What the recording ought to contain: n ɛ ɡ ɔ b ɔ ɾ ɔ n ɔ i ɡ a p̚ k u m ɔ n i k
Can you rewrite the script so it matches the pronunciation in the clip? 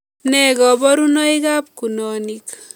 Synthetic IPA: n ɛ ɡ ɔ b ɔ ɾ u n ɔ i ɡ a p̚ k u n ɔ n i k

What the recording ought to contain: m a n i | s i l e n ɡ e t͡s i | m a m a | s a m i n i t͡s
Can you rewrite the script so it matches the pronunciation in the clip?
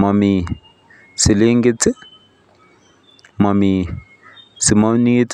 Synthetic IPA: m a m i | s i l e ŋ ɡ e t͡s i | m a m i | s i m a n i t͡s

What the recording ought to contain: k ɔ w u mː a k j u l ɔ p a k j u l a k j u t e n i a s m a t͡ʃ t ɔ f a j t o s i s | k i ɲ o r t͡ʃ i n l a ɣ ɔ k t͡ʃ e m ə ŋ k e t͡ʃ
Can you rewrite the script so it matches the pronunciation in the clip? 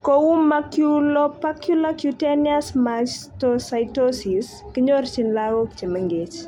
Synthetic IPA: k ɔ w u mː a k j u l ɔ p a k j u l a k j u t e n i a s m a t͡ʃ t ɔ s a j t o s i s | k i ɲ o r t͡ʃ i n l a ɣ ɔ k t͡ʃ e m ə ŋ ɡ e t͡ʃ

